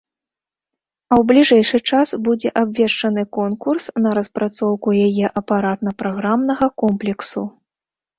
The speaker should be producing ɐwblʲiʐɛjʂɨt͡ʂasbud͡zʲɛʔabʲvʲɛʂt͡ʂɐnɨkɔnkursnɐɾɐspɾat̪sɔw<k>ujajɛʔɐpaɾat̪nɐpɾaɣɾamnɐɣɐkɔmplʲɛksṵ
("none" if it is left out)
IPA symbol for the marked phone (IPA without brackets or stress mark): k